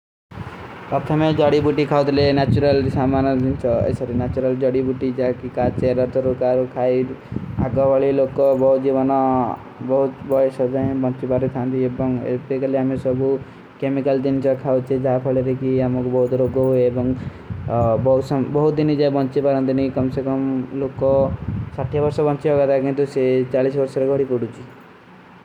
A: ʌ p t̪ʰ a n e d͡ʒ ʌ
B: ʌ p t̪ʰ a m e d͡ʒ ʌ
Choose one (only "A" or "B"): B